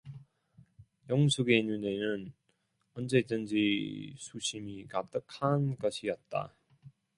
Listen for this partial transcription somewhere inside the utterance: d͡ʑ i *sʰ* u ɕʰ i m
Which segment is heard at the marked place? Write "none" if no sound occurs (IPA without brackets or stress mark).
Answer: sʰ